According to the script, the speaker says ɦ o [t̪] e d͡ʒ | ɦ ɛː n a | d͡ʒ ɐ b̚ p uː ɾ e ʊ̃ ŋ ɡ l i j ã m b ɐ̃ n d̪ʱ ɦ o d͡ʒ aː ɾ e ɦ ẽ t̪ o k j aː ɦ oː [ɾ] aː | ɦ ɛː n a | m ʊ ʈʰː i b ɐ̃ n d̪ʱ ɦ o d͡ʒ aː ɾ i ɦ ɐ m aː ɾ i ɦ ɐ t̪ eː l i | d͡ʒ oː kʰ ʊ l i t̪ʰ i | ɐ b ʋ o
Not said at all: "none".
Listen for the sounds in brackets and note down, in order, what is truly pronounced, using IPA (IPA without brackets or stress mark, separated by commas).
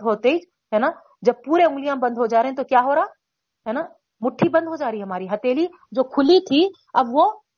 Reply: t̪, ɾ